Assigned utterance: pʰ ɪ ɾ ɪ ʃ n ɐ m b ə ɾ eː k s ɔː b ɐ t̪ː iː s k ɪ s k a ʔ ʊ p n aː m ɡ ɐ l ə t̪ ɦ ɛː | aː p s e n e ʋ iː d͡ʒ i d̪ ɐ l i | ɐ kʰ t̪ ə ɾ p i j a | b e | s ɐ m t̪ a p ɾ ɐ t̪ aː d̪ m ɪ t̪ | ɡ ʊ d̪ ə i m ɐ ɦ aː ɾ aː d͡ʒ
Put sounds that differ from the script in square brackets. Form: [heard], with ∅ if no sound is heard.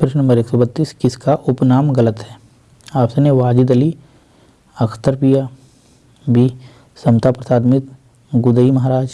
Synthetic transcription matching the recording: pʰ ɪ ɾ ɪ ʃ n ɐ m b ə ɾ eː k s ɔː b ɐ t̪ː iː s k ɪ s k a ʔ ʊ p n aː m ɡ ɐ l ə t̪ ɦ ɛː | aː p s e n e ʋ [aː] d͡ʒ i d̪ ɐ l i | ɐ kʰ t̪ ə ɾ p i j a | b [i] | s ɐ m t̪ a p ɾ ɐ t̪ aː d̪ m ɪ t̪ | ɡ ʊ d̪ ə i m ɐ ɦ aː ɾ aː d͡ʒ